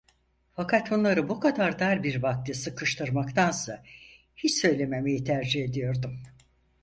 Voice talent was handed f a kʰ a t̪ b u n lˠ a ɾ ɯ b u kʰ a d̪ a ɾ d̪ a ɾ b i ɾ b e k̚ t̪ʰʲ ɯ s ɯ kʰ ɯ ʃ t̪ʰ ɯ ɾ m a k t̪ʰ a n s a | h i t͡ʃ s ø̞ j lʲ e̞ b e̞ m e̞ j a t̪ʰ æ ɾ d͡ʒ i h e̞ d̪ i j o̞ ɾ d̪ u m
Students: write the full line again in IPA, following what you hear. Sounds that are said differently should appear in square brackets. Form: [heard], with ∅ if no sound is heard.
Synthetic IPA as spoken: f a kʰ a t̪ b u n lˠ a ɾ ɯ b u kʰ a d̪ a ɾ d̪ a ɾ b i ɾ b [a] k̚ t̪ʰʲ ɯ s ɯ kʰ ɯ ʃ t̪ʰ ɯ ɾ m a k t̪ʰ a n s a | h i t͡ʃ s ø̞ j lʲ e̞ [m] e̞ m e̞ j [i] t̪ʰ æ ɾ d͡ʒ i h e̞ d̪ i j o̞ ɾ d̪ u m